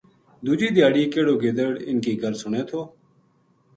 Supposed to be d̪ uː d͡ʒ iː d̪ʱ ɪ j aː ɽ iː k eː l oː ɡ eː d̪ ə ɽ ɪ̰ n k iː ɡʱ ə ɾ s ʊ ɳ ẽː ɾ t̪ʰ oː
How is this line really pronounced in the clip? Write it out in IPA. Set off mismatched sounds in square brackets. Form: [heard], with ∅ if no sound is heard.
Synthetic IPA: d̪ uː d͡ʒ iː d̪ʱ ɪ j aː ɽ iː k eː [ɽ] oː ɡ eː d̪ ə ɽ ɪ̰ n k iː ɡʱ ə ɾ s ʊ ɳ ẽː [∅] t̪ʰ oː